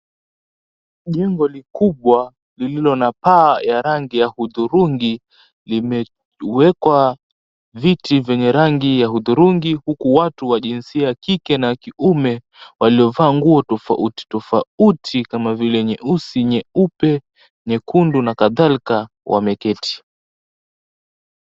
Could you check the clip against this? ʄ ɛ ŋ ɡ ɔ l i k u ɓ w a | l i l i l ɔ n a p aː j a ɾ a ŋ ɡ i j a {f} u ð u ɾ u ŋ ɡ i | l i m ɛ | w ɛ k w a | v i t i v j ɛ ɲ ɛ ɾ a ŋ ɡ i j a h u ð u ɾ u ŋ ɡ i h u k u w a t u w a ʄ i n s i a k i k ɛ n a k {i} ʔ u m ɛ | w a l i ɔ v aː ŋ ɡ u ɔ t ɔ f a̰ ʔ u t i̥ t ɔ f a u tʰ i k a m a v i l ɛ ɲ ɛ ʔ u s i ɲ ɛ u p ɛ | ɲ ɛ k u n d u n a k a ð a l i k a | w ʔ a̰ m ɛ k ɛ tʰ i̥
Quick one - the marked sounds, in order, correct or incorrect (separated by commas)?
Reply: incorrect, correct